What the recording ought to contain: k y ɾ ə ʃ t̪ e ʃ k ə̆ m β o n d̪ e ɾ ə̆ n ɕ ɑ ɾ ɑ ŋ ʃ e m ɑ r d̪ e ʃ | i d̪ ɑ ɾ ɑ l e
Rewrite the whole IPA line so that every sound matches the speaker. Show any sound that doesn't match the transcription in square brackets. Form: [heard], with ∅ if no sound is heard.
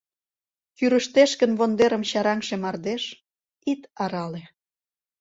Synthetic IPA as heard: k y ɾ ə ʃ t̪ e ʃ k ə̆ [n] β o n d̪ e ɾ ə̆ [m] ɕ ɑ ɾ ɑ ŋ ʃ e m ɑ r d̪ e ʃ | i [t̪] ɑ ɾ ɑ l e